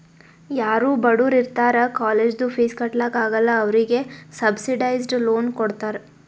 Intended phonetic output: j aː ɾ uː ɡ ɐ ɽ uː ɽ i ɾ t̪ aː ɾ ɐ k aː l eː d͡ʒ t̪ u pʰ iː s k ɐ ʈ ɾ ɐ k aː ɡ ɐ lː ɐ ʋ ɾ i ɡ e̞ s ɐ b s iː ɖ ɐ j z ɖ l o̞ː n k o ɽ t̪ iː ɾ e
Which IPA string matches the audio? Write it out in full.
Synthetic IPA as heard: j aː ɾ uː b ɐ ɽ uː ɾ i ɾ t̪ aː ɾ ɐ k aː l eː d͡ʒ d̪ u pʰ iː s k ɐ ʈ l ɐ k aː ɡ ɐ lː ɐː ʋ ɾ i ɡ e̞ s ɐ b s i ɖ ɐ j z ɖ l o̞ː n k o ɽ t̪ aː ɾ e